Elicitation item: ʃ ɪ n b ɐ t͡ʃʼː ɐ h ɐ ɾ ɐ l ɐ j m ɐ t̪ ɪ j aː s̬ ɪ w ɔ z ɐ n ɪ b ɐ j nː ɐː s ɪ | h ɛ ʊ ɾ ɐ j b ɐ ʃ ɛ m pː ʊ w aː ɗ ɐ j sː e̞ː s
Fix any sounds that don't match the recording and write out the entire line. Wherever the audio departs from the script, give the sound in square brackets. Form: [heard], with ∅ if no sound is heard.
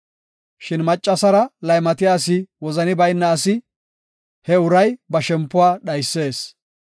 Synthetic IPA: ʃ ɪ n [m] ɐ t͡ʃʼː ɐ [s] ɐ ɾ ɐ l ɐ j m ɐ t̪ ɪ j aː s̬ ɪ w ɔ z ɐ n ɪ b ɐ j nː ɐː s ɪ | h ɛ ʊ ɾ ɐ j b ɐ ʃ ɛ m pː ʊ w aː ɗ ɐ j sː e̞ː s